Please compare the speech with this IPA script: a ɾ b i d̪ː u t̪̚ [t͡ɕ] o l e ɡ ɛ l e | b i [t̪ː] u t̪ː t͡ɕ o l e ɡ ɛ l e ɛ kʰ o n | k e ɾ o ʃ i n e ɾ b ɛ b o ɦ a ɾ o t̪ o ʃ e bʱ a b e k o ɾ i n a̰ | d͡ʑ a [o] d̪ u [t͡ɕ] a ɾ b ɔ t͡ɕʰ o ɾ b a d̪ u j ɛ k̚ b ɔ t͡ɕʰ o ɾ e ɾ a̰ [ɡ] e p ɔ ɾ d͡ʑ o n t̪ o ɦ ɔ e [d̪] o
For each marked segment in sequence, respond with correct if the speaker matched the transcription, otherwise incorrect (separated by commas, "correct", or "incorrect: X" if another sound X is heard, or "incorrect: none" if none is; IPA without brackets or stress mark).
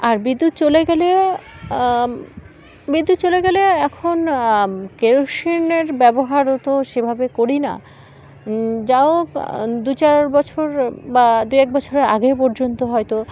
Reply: correct, incorrect: d̪ː, correct, correct, correct, incorrect: t̪